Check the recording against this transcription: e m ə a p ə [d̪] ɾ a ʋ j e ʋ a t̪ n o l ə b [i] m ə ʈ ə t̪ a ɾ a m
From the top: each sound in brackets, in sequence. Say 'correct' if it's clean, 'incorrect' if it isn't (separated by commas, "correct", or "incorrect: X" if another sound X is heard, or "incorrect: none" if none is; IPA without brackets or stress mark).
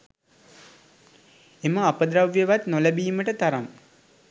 correct, incorrect: iː